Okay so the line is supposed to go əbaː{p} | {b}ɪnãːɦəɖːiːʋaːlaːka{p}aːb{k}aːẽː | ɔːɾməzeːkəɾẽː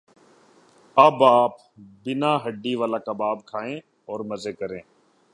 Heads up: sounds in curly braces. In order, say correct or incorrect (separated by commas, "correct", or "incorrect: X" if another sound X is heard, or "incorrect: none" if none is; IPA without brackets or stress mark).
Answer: correct, correct, incorrect: b, incorrect: kʰ